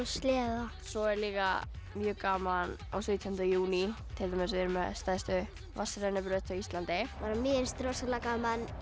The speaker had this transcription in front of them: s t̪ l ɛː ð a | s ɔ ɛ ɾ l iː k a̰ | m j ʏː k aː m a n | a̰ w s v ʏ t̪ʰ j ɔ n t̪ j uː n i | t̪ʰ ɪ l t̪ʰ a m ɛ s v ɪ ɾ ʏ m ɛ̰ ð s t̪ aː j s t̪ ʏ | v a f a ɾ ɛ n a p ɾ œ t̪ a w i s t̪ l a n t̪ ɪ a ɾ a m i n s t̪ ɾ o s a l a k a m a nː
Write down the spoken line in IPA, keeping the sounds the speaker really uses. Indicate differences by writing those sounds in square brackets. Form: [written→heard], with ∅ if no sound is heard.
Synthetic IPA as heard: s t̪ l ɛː ð a | s ɔ ɛ ɾ l iː k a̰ | m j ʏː k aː m a n | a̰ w s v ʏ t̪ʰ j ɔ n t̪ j uː n i | t̪ʰ ɪ l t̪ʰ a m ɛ s v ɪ ɾ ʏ m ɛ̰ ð s t̪ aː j s t̪ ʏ | v a [f→s] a ɾ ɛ n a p ɾ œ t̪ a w i s t̪ l a n t̪ ɪ a ɾ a m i n s t̪ ɾ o s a l a k a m a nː